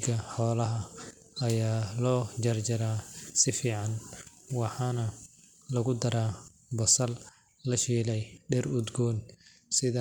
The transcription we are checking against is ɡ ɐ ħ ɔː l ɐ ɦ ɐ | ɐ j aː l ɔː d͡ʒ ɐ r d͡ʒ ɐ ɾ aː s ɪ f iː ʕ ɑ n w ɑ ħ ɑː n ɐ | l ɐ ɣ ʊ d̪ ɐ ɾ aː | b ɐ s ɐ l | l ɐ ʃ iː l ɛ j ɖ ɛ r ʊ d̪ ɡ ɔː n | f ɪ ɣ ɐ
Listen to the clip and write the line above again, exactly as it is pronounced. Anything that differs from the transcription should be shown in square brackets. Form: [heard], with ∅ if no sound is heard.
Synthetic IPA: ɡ ɐ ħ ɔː l ɐ ɦ ɐ | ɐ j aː l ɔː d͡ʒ ɐ r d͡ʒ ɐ ɾ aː s ɪ f iː ʕ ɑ n w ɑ ħ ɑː n ɐ | l ɐ ɣ ʊ d̪ ɐ ɾ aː | b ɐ s ɐ l | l ɐ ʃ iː l ɛ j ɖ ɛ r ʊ d̪ ɡ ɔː n | [s] ɪ [ð] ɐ